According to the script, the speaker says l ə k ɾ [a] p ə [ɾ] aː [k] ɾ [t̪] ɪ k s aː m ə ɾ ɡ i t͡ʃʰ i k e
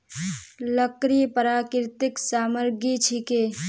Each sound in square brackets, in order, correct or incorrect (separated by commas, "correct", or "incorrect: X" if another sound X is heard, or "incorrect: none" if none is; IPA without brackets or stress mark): incorrect: i, correct, correct, correct